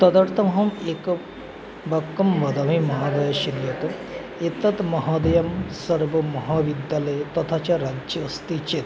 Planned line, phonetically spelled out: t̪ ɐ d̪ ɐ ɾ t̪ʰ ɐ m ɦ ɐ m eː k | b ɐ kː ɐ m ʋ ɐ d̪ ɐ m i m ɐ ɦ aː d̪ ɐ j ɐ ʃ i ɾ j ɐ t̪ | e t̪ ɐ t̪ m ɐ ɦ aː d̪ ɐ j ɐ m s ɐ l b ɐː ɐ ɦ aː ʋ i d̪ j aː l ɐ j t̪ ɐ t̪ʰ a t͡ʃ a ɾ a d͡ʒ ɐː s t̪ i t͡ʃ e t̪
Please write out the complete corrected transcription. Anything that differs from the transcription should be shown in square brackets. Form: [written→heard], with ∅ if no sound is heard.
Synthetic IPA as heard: t̪ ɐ d̪ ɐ ɾ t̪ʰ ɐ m ɦ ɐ m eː k | b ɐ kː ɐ m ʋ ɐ d̪ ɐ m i m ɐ ɦ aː d̪ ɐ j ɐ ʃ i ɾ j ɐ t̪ | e t̪ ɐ t̪ m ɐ ɦ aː d̪ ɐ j ɐ m s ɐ [l→ɾ] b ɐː ɐ ɦ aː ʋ i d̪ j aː l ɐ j t̪ ɐ t̪ʰ a t͡ʃ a ɾ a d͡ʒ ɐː s t̪ i t͡ʃ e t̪